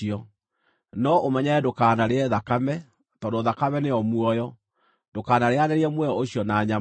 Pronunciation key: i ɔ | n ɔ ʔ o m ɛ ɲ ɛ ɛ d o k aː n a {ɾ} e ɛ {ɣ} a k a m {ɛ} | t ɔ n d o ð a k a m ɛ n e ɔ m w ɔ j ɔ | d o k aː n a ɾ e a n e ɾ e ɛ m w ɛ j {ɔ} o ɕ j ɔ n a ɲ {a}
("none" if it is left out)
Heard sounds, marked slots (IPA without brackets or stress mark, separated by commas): ɾ, ð, ɛ, ɔ, a